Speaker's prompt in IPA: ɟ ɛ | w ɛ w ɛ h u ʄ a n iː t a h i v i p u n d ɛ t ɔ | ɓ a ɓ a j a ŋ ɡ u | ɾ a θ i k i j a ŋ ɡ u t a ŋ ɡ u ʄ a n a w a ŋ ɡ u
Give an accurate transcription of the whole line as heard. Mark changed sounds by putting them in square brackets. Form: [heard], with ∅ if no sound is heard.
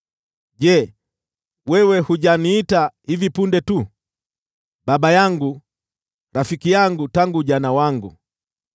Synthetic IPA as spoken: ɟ ɛ | w ɛ w ɛ h u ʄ a n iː t a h i v i p u n d ɛ t [u] | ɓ a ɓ a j a ŋ ɡ u | ɾ a [f] i k i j a ŋ ɡ u t a ŋ ɡ u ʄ a n a w a ŋ ɡ u

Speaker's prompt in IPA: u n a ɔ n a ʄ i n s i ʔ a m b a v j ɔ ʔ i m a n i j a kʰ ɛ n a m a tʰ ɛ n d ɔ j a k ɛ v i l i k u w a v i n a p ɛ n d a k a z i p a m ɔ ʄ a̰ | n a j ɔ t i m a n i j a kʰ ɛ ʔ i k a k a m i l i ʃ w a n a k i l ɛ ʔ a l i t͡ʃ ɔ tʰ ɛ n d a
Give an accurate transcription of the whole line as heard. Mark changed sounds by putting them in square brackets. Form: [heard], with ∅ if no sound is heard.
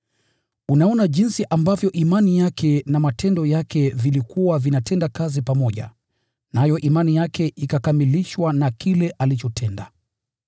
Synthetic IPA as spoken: u n a ɔ n a ʄ i n s i ʔ a m b a v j ɔ ʔ i m a n i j a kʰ ɛ n a m a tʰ ɛ n d ɔ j a k ɛ v i l i k u w a v i n a [t] ɛ n d a k a z i p a m ɔ ʄ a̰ | n a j ɔ [ʔ] i m a n i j a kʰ ɛ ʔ i k a k a m i l i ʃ w a n a k i l ɛ ʔ a l i t͡ʃ ɔ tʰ ɛ n d a

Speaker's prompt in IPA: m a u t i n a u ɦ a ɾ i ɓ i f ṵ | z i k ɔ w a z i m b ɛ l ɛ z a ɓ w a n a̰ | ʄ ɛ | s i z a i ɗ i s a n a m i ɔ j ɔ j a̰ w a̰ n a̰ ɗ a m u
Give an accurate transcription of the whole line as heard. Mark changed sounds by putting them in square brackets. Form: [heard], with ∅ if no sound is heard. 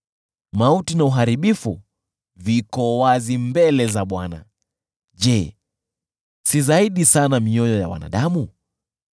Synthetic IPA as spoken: m a u t i n a u ɦ a ɾ i ɓ i f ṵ | [v] i k ɔ w a z i m b ɛ l ɛ z a ɓ w a n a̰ | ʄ ɛ | s i z a i ɗ i s a n a m i ɔ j ɔ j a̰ w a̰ n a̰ ɗ a m u

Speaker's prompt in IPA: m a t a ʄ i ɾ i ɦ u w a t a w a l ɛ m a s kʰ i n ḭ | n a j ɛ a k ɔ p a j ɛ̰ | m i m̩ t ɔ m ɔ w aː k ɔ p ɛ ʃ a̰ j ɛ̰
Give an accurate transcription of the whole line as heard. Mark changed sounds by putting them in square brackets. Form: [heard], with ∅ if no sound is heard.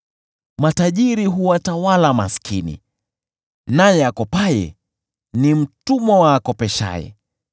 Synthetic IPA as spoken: m a t a ʄ i ɾ i ɦ u w a t a w a l [a] m a s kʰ i n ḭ | n a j ɛ a k ɔ p a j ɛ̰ | [n] i m̩ t [u] m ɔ w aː k ɔ p ɛ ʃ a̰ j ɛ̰

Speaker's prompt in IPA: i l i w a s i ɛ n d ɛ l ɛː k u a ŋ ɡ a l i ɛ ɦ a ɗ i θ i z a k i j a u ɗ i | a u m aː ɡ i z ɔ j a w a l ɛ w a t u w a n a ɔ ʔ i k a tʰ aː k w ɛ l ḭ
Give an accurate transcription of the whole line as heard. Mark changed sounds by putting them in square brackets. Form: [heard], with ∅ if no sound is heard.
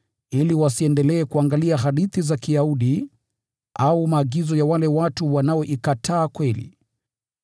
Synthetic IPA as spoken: i l i w a s i ɛ n d ɛ l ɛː k u a ŋ ɡ a l i [a] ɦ a ɗ i θ i z a k i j a u ɗ i | a u m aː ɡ i z ɔ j a w a l ɛ w a t u w a n a ɔ ʔ i k a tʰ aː k w ɛ l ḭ

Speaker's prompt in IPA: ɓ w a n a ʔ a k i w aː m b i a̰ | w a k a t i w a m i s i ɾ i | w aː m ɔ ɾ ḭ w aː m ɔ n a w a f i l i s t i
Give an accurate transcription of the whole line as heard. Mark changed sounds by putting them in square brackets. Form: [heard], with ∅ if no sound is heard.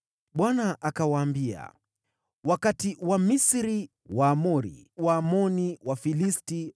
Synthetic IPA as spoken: ɓ w a n a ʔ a k [a] w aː m b i a̰ | w a k a t i w a m i s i ɾ i | w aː m ɔ ɾ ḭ w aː m ɔ n [i] w a f i l i s t i

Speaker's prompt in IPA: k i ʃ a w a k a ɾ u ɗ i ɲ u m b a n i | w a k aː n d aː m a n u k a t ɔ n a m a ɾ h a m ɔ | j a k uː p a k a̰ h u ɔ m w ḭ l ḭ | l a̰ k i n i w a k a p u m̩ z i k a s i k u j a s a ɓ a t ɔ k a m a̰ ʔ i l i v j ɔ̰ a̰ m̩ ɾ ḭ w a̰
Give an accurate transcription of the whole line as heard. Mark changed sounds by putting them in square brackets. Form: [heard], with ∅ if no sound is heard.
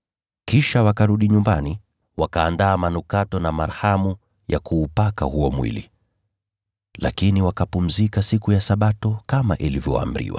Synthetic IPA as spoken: k i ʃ a w a k a ɾ u ɗ i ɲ u m b a n i | w a k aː n d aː m a n u k a t ɔ n a m a ɾ h a m [u] | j a k uː p a k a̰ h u ɔ m w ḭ l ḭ | l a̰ k i n i w a k a p u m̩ z i k a s i k u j a s a ɓ a t ɔ k a m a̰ ʔ i l i v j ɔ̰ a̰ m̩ ɾ ḭ w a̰

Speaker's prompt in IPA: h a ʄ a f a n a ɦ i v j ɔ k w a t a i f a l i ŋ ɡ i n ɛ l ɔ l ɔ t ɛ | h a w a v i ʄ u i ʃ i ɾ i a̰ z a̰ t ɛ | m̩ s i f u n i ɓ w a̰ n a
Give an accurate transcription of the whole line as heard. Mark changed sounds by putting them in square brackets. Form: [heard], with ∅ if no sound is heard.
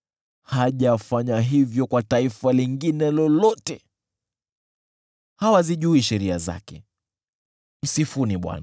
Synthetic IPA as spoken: h a ʄ a f a [ɲ] a ɦ i v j ɔ k w a t a i f a l i ŋ ɡ i n ɛ l ɔ l ɔ t ɛ | h a w a [z] i ʄ u i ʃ [ɛ] ɾ i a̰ z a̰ [k] ɛ | m̩ s i f u n i ɓ w a̰ n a

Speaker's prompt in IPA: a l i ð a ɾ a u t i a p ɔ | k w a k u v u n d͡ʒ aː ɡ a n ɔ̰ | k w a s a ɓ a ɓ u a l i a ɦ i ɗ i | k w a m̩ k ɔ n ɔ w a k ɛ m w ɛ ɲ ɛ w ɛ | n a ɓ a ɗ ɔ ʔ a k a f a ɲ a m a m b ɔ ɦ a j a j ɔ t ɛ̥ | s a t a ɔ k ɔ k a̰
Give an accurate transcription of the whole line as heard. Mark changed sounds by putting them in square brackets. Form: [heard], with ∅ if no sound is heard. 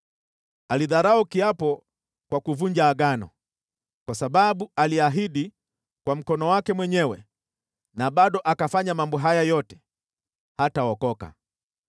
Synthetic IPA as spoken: a l i ð a ɾ a u [k] i a p ɔ | k w a k u v u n d͡ʒ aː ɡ a n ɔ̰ | k w a s a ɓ a ɓ u a l i a ɦ i ɗ i | k w a m̩ k ɔ n ɔ w a k ɛ m w ɛ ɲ ɛ w ɛ | n a ɓ a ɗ ɔ ʔ a k a f a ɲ a m a m b ɔ ɦ a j a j ɔ t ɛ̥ | [h] a t a ɔ k ɔ k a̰

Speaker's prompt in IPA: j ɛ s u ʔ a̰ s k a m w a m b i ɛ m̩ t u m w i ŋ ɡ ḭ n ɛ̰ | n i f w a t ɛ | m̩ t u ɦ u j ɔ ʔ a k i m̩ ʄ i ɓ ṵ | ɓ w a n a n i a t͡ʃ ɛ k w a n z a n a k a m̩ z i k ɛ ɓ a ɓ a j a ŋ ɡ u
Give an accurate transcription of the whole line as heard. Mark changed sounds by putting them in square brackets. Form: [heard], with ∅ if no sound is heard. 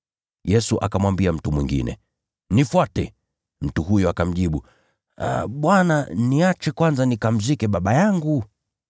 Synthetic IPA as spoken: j ɛ s u ʔ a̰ [∅] k a m w a m b i [a] m̩ t u m w i ŋ ɡ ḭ n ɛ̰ | n i f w a t ɛ | m̩ t u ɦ u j ɔ [∅] a k [a] m̩ ʄ i ɓ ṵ | ɓ w a n a n i a t͡ʃ ɛ k w a n z a n [i] k a m̩ z i k ɛ ɓ a ɓ a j a ŋ ɡ u

